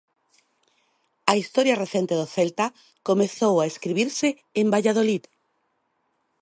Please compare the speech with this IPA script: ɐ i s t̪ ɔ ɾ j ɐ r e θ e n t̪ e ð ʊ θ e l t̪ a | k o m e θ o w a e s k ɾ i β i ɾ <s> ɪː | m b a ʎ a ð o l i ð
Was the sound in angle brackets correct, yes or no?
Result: yes